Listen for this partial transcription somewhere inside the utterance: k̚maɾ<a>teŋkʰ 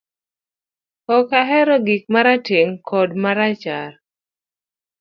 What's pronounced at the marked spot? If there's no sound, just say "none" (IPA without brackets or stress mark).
a